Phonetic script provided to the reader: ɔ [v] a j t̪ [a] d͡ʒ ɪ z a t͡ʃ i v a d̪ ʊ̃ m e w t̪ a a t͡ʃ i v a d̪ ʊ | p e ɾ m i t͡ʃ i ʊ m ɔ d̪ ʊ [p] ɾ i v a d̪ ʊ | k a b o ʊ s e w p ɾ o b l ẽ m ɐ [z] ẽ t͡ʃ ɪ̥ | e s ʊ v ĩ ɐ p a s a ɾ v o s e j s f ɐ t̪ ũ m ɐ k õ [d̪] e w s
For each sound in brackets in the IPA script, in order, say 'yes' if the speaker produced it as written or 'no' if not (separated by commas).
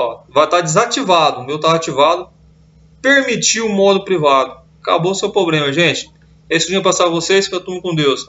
yes, yes, yes, no, yes